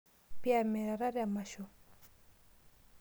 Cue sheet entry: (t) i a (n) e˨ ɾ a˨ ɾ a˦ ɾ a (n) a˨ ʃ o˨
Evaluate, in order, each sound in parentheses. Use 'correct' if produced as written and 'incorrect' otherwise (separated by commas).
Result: incorrect, incorrect, incorrect